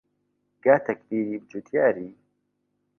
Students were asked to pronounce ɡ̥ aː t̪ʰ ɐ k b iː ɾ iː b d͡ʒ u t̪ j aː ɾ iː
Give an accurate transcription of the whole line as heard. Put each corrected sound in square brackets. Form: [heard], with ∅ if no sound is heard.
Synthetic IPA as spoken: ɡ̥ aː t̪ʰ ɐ k b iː ɾ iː b d͡ʒ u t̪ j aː ɾ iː